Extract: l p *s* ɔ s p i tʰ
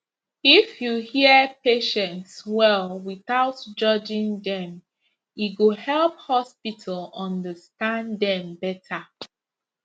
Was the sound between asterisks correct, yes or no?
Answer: no